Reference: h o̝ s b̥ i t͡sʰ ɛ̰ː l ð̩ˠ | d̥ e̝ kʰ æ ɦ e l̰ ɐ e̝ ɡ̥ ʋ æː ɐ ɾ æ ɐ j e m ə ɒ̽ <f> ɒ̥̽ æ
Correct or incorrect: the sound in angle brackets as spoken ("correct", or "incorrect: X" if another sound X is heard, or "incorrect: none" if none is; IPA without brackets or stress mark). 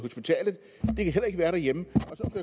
incorrect: s